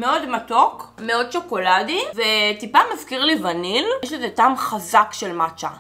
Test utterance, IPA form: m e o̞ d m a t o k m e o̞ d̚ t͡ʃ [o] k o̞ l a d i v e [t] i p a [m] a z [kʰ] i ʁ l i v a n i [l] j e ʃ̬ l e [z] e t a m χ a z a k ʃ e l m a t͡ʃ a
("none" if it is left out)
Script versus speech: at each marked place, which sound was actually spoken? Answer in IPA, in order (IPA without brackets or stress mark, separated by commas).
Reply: o, t, m, k, l, z